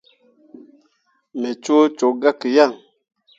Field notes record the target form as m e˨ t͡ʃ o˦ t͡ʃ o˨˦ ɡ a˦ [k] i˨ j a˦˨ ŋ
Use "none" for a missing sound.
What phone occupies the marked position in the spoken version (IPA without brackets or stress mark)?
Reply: k